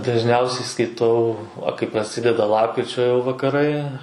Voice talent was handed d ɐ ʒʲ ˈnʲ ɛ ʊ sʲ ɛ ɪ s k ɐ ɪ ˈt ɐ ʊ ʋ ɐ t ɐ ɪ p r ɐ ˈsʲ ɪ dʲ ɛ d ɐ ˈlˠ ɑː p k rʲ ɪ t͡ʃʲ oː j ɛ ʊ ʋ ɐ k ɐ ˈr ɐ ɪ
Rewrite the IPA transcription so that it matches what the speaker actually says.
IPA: d ɐ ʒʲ ˈnʲ ɛ ʊ sʲ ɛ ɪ s k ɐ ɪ ˈt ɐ ʊ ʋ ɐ k ɐ ɪ p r ɐ ˈsʲ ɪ dʲ ɛ d ɐ ˈlˠ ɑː p k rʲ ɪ t͡ʃʲ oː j ɛ ʊ ʋ ɐ k ɐ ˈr ɐ ɪ